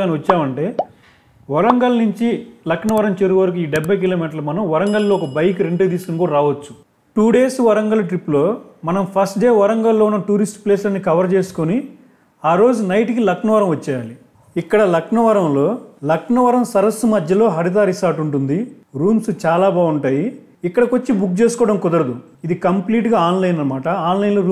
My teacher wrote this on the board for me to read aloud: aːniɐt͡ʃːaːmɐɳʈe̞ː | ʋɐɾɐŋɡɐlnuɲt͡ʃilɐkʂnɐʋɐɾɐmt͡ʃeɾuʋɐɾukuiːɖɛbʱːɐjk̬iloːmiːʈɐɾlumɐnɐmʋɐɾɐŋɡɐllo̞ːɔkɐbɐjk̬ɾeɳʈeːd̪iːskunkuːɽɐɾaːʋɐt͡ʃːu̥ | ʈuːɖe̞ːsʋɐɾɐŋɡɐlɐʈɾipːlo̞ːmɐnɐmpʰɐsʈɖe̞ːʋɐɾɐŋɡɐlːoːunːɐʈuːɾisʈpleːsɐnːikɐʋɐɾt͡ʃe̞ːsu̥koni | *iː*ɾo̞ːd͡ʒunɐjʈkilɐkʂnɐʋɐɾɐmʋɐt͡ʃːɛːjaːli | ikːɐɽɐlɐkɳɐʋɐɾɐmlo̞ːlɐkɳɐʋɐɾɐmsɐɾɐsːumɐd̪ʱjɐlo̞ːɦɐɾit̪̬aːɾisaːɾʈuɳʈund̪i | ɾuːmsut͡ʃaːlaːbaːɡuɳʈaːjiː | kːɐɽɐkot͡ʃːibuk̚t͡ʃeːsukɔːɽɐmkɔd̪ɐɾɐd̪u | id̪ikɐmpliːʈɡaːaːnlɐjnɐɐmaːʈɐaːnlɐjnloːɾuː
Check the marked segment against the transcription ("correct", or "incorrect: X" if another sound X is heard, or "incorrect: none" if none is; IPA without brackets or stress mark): incorrect: aː